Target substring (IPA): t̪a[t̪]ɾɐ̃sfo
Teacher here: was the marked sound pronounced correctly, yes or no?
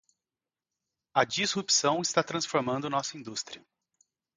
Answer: yes